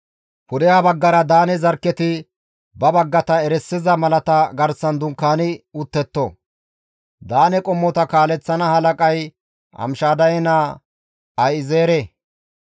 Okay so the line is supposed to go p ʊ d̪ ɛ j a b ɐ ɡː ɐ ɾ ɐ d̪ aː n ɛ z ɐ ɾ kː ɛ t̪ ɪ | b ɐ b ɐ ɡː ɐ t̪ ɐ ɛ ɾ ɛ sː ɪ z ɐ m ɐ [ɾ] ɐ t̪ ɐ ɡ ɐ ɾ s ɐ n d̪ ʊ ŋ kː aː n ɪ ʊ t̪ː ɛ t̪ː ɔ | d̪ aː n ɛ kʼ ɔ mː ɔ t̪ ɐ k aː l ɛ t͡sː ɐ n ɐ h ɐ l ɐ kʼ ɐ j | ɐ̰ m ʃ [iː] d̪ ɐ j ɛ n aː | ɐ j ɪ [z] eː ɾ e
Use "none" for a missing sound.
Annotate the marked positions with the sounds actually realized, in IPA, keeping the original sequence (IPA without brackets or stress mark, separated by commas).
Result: l, aː, z